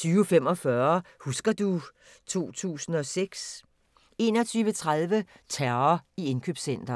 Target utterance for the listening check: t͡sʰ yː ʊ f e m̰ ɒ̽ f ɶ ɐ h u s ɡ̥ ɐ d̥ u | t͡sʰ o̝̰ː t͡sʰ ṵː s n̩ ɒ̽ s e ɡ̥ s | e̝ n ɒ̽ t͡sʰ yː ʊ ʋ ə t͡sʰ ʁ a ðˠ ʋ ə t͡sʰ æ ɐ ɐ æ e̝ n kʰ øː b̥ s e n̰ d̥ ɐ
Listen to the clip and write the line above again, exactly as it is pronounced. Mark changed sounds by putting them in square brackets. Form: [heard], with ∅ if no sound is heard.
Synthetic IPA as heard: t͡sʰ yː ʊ f e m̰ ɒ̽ f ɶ ɐ h u s ɡ̥ ɐ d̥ u | t͡sʰ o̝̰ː t͡sʰ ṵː s n̩ ɒ̽ s e ɡ̥ s | e̝ n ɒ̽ t͡sʰ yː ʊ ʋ ə t͡sʰ ʁ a ðˠ ʋ ə t͡sʰ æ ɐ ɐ [i] e̝ n kʰ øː b̥ s e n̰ d̥ ɐ